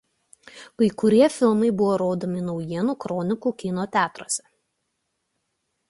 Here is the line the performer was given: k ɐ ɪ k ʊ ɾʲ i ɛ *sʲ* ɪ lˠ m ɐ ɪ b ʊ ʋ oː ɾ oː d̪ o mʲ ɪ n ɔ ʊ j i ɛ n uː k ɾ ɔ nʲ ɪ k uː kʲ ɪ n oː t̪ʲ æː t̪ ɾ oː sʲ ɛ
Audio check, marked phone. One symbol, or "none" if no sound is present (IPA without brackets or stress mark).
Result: fʲ